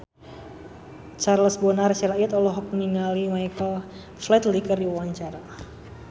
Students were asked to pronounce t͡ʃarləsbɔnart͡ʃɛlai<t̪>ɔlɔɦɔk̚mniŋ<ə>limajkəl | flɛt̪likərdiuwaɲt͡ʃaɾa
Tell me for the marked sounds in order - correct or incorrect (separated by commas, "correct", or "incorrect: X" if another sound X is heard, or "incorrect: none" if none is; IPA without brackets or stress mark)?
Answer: correct, incorrect: a